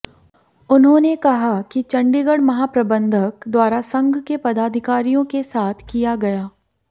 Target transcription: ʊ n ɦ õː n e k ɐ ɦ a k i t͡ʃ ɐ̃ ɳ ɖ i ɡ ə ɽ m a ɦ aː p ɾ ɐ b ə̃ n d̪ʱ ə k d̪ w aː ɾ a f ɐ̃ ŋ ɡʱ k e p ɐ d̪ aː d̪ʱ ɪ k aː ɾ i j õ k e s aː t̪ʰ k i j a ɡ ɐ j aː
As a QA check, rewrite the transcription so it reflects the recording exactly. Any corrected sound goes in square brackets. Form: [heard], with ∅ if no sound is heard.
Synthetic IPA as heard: ʊ n ɦ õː n e k ɐ ɦ a k i t͡ʃ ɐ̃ ɳ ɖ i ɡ ə ɽ m [ɐ] ɦ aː p ɾ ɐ b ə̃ n d̪ʱ ə k d̪ w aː ɾ a [s] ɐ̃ ŋ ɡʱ k e p ɐ d̪ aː d̪ʱ ɪ k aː ɾ i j õ k e s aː t̪ʰ k i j a ɡ ɐ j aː